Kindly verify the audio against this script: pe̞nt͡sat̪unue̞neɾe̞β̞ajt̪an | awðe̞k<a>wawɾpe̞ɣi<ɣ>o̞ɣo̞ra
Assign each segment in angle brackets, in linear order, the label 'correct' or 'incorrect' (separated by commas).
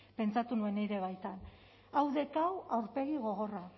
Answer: correct, correct